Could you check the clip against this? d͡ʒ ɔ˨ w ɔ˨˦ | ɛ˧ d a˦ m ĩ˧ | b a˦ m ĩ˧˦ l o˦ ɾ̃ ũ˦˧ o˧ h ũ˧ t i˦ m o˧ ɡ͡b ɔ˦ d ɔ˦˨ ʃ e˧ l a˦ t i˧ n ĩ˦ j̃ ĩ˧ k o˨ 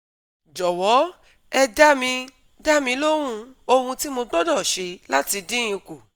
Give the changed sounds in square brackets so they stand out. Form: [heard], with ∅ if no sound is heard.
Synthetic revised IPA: d͡ʒ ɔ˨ w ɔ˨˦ | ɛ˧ d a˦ m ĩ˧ | [d] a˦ m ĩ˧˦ l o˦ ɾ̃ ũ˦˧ o˧ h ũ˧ t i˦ m o˧ ɡ͡b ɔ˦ d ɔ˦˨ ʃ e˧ l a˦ t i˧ [d] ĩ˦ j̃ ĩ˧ k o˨